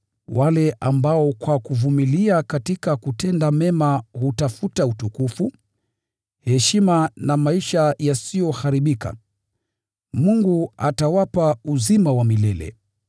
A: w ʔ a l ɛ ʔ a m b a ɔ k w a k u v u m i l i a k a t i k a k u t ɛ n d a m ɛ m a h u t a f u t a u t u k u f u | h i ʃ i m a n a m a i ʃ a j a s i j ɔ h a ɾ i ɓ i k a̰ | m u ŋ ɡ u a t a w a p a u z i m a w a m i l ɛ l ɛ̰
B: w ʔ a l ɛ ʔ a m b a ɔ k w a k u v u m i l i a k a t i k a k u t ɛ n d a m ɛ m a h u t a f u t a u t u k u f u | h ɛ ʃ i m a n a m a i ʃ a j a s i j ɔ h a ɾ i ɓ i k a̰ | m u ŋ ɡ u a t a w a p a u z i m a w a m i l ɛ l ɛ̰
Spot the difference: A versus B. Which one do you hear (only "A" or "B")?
B